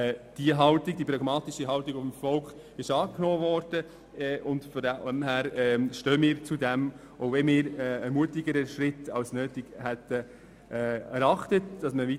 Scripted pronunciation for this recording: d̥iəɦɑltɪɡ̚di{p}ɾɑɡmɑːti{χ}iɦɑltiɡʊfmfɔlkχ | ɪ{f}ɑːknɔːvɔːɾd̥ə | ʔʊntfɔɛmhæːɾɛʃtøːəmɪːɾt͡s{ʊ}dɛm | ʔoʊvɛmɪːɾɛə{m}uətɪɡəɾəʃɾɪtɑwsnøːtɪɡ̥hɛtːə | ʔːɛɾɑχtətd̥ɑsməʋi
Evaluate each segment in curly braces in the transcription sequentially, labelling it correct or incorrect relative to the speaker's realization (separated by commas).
correct, incorrect, incorrect, incorrect, correct